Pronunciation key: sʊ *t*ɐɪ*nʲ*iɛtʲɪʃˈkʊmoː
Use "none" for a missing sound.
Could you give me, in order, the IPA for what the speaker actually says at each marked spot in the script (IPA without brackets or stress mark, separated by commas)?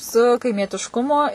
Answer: k, mʲ